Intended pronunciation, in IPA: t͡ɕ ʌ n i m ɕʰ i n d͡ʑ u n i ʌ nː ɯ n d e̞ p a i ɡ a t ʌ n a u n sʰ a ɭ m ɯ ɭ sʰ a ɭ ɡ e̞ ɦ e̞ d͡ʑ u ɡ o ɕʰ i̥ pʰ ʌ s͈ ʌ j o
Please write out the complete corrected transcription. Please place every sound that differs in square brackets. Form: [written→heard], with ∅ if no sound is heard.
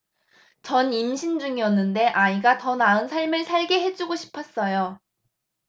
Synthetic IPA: t͡ɕ ʌ n i m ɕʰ i n d͡ʑ u [n→ŋ] i ʌ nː ɯ n d e̞ [p→ʔ] a i ɡ a t ʌ n a [u→ɯ] n sʰ a ɭ m ɯ ɭ sʰ a ɭ ɡ e̞ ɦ e̞ d͡ʑ u ɡ o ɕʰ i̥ pʰ ʌ s͈ ʌ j o